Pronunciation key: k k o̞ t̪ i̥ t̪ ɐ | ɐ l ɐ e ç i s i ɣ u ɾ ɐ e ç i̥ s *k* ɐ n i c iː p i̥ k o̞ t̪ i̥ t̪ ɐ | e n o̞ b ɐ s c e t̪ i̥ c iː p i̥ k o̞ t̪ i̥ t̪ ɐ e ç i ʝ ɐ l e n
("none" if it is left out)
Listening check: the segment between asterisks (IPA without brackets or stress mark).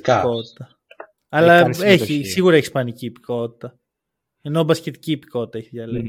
p